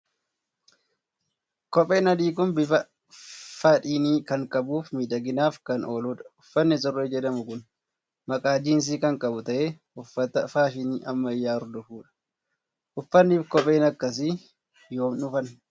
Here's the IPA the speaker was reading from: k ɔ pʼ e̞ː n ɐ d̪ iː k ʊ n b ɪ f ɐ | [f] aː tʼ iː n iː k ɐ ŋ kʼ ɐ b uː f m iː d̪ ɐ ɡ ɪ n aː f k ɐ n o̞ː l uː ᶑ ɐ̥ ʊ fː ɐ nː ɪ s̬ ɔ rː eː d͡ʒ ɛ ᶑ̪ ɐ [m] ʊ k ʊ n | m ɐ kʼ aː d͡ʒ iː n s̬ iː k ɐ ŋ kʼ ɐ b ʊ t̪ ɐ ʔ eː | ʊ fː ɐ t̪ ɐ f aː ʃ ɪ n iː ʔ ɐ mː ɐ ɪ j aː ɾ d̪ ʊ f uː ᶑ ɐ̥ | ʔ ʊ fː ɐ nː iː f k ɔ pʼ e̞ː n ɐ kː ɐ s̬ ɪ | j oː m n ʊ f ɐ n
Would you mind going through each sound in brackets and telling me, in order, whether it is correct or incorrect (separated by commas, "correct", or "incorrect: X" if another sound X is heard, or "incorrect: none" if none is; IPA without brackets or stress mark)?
correct, correct